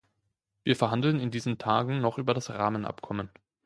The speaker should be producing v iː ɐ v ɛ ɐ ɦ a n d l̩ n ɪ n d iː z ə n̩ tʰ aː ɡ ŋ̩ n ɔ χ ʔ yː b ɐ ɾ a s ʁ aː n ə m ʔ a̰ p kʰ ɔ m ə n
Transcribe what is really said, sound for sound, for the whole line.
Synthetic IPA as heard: v iː ɐ f ɛ ɐ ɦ a n d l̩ n ɪ n d iː z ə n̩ tʰ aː ɡ ŋ̩ n ɔ χ ʔ yː b ɐ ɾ a s ʁ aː m ə n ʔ a̰ p kʰ ɔ m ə n